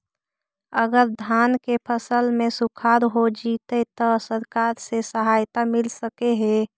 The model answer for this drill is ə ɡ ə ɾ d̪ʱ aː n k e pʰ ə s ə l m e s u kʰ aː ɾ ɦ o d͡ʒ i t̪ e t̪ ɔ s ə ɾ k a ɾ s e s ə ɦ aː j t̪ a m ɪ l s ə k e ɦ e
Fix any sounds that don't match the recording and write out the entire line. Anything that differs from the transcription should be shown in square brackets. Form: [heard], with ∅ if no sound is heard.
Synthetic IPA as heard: ə ɡ ə ɾ d̪ʱ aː n k e pʰ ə s ə l m e s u kʰ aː ɾ ɦ o d͡ʒ i t̪ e t̪ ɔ s ə ɾ k a ɾ s e s ə ɦ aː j t̪ a m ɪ l s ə k e ɦ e